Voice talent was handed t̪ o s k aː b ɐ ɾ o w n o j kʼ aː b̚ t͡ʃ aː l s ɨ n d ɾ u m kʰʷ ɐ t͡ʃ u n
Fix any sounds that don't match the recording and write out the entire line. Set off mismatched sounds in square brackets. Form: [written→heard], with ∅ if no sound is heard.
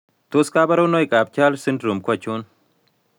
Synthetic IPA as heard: t̪ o s k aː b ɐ ɾ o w n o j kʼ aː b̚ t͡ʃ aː l s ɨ n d ɾ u m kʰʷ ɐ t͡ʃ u n